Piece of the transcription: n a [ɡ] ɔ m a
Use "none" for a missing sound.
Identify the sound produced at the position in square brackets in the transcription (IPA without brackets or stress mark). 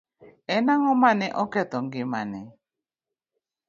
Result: ŋ